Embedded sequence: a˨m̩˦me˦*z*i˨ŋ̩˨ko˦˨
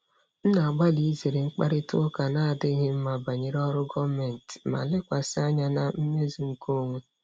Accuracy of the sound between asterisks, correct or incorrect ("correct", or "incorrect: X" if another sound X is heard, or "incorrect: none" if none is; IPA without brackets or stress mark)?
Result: correct